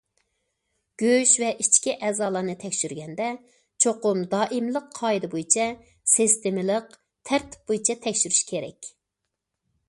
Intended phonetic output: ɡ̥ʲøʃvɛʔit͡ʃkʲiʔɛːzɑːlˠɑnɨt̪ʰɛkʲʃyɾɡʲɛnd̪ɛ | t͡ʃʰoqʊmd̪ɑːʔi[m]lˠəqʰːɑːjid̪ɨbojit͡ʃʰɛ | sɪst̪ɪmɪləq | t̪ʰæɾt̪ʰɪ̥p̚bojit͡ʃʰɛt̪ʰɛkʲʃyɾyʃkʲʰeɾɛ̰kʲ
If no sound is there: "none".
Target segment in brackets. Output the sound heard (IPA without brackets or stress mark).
m